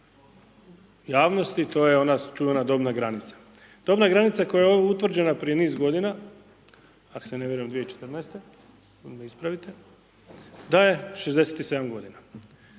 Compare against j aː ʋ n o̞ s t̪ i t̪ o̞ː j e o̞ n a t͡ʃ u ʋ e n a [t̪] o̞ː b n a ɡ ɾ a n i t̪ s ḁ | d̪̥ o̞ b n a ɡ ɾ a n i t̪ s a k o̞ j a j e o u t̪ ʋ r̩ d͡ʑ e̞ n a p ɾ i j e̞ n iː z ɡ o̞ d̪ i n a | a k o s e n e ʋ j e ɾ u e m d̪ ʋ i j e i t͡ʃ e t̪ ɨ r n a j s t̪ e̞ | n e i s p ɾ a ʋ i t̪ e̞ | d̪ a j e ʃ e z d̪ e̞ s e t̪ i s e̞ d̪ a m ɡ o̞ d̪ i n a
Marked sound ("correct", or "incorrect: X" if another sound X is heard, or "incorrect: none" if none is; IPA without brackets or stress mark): incorrect: d̪